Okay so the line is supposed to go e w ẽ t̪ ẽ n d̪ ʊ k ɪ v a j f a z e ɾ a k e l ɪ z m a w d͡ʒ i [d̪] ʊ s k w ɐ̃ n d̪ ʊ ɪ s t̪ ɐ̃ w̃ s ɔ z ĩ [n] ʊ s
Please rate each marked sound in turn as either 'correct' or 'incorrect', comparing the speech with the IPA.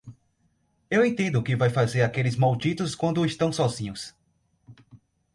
incorrect: t̪, incorrect: ɲ

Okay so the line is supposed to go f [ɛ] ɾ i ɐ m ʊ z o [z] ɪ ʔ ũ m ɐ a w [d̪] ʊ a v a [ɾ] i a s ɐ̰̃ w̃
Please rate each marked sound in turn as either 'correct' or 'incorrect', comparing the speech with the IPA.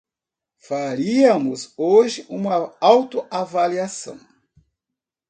incorrect: a, incorrect: ʒ, incorrect: t̪, incorrect: l

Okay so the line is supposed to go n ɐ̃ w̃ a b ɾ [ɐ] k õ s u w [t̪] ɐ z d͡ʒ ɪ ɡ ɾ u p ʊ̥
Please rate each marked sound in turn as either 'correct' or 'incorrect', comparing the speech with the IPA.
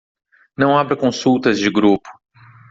correct, correct

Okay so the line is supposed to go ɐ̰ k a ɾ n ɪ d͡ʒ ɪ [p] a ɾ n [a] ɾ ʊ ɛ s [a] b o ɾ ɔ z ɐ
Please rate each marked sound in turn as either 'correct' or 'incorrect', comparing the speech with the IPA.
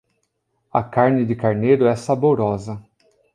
incorrect: k, incorrect: e, correct

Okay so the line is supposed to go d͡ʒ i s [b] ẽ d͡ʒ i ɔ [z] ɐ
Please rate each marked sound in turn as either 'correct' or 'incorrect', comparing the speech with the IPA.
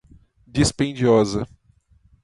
incorrect: p, correct

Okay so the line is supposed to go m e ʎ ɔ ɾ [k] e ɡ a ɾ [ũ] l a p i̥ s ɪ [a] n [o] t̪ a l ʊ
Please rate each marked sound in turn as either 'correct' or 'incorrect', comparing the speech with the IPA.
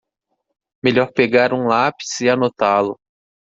incorrect: p, correct, correct, correct

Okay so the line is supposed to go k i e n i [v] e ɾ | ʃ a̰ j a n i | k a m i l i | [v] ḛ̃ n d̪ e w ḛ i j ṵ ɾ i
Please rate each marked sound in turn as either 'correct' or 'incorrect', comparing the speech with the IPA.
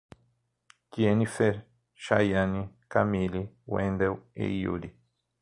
incorrect: f, incorrect: w

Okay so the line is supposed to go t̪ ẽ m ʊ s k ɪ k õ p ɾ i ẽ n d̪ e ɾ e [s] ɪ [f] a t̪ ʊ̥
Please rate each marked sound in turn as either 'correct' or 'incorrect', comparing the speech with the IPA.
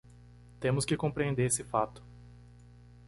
correct, correct

